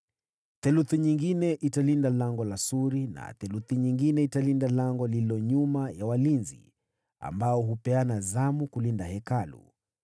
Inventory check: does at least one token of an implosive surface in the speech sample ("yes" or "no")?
no